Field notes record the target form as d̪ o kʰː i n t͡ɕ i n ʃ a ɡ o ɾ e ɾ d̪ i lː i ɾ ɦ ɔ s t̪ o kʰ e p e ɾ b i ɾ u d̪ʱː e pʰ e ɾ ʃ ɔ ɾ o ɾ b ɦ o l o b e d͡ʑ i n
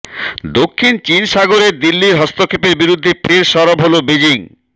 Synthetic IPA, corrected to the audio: d̪ o kʰː i n t͡ɕ i n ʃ a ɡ o ɾ e ɾ d̪ i lː i ɾ ɦ ɔ s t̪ o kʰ e p e ɾ b i ɾ u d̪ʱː e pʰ e ɾ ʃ ɔ ɾ o b ɦ o l o b e d͡ʑ i ŋ